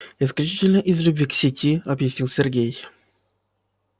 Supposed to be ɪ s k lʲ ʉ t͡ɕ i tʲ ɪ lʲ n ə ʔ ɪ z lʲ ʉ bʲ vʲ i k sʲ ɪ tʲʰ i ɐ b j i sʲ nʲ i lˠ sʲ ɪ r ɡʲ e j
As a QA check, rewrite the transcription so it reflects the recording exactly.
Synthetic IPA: ɪ s k lʲ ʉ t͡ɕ i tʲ ɪ lʲ n ə ʔ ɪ z lʲ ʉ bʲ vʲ i k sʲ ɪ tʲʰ i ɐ b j ɪ sʲ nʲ i lˠ sʲ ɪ r ɡʲ e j